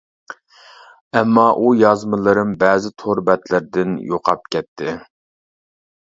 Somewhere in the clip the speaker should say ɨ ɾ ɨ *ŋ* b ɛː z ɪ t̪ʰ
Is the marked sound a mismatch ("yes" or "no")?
yes